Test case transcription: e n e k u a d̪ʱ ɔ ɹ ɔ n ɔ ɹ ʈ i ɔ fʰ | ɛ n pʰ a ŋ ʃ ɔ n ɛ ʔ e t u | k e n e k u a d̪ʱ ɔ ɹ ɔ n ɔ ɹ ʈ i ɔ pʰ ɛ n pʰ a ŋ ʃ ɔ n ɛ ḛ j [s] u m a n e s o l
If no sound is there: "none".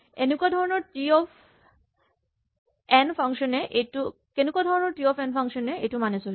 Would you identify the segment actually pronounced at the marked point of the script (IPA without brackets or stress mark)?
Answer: t